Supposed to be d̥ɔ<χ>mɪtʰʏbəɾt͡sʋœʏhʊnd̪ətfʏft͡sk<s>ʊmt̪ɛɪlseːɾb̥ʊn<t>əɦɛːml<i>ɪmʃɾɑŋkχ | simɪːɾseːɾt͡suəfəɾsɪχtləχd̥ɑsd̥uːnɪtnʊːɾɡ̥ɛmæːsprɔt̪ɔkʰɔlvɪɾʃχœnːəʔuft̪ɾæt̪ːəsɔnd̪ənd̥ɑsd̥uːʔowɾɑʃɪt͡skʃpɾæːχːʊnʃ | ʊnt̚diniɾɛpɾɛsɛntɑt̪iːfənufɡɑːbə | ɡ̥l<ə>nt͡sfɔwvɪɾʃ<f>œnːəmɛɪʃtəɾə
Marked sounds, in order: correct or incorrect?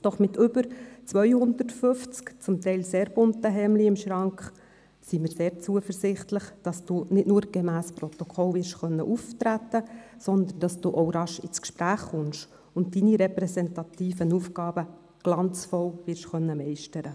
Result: correct, incorrect: t͡s, correct, correct, incorrect: ɑ, incorrect: χ

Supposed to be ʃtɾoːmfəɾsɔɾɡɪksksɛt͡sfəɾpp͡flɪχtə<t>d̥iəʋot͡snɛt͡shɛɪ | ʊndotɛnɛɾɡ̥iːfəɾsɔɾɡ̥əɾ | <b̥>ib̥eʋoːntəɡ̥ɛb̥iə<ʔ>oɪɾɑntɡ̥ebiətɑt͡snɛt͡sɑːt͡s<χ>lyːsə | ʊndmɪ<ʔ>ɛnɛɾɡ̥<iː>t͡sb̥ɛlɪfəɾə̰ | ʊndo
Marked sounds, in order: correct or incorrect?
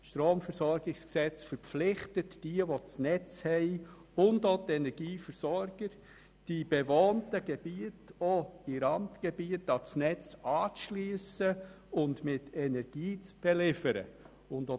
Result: correct, incorrect: d̥, incorrect: t, incorrect: ʃ, incorrect: t, correct

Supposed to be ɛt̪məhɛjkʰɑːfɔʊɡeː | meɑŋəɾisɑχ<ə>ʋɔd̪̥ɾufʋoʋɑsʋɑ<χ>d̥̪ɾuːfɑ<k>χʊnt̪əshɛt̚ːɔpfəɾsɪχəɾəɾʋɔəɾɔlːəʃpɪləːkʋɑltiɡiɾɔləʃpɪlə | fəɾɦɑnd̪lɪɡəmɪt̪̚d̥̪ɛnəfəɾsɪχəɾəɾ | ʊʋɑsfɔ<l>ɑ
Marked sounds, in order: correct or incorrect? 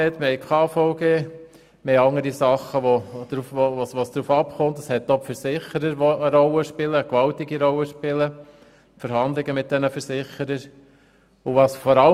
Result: correct, incorrect: s, incorrect: p, incorrect: ɾ

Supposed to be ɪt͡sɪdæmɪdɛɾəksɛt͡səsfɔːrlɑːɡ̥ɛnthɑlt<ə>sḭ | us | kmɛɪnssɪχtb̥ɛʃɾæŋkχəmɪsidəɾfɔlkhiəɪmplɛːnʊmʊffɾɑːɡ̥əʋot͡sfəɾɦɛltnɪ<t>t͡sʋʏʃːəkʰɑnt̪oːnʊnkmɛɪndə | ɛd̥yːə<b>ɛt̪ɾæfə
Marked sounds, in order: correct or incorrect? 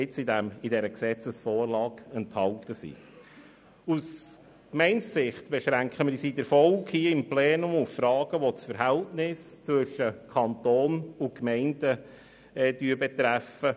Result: correct, incorrect: s, correct

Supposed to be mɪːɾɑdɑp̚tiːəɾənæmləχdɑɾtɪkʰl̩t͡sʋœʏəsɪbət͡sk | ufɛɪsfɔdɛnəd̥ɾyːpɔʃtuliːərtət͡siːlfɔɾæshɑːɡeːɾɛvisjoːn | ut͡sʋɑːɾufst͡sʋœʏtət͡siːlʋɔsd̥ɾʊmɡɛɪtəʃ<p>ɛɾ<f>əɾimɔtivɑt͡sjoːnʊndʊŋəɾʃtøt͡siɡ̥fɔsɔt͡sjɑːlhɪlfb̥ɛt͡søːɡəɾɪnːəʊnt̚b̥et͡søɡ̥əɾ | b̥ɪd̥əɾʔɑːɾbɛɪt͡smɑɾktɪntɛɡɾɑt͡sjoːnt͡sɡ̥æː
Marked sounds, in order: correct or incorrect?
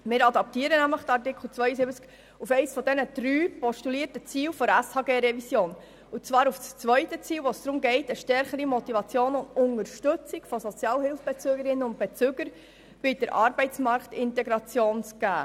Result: incorrect: t, incorrect: χ

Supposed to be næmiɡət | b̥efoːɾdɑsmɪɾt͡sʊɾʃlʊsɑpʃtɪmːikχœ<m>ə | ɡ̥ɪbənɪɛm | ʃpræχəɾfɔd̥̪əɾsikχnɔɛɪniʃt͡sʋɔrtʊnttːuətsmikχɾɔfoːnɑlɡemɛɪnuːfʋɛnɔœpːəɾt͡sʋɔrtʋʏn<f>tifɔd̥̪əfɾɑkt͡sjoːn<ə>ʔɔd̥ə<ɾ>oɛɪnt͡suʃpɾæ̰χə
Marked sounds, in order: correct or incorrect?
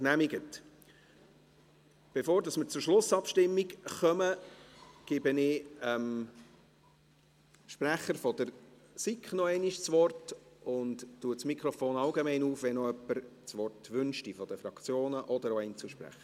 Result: correct, incorrect: ʃ, correct, correct

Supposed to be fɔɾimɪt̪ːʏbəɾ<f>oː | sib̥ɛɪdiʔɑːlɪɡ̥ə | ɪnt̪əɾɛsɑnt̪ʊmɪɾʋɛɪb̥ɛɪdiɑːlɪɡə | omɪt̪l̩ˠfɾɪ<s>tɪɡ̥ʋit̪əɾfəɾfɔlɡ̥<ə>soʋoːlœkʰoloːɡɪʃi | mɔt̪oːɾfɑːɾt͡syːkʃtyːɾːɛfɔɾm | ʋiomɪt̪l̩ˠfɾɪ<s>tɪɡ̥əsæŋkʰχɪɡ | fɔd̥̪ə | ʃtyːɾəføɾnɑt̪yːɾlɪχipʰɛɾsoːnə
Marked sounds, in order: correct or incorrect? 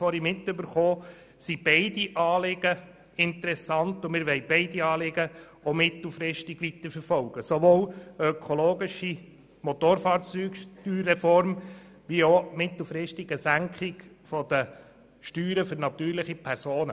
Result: incorrect: χ, incorrect: ʃ, correct, incorrect: ʃ

